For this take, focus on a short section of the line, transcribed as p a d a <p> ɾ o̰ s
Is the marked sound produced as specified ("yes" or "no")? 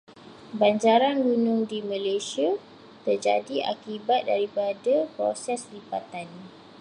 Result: yes